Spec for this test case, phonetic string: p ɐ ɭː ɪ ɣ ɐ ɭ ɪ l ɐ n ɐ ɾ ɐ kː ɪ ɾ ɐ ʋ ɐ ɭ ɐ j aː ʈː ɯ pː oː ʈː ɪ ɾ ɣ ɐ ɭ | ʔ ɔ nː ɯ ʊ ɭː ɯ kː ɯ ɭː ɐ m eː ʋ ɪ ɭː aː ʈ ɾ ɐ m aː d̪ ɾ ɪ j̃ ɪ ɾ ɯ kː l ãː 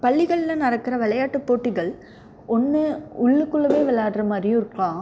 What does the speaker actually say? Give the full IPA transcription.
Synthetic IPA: p ɐ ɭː ɪ ɣ ɐ ɭ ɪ l ɐ n ɐ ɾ ɐ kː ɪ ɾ ɐ ʋ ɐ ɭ ɐ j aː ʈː ɯ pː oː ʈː ɪ ɣ ɐ ɭ | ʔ ɔ nː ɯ ʊ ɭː ɯ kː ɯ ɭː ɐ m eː ʋ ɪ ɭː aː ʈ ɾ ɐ m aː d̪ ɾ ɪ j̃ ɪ ɾ ɯ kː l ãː